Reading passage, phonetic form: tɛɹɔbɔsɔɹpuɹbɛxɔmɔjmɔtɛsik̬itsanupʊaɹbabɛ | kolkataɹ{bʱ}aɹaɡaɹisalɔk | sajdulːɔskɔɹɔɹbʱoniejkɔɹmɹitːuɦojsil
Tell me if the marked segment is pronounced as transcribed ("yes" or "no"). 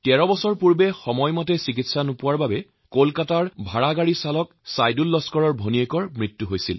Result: yes